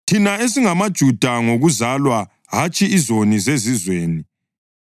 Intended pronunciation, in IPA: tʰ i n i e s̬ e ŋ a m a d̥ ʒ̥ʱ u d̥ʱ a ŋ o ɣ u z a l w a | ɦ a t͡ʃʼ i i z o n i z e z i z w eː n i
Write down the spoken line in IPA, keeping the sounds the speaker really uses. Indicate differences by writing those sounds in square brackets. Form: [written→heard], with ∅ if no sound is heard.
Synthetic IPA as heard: tʰ i n [i→a] e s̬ [e→i] ŋ a m a d̥ ʒ̥ʱ u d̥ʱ a ŋ o ɣ u z a l w a | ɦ a t͡ʃʼ i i z o n i z e z i z w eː n i